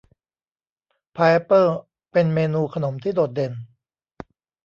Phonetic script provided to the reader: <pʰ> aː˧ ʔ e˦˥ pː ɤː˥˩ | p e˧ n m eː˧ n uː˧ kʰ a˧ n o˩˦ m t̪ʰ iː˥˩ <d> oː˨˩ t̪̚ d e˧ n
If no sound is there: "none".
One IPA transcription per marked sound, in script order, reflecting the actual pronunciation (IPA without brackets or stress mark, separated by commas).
pʰ, d